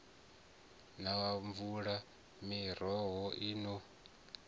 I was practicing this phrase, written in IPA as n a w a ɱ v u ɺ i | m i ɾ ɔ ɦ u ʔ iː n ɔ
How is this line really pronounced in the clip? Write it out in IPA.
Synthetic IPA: n a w a ɱ v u ɺ a | m i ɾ ɔ ɦ ɔ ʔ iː n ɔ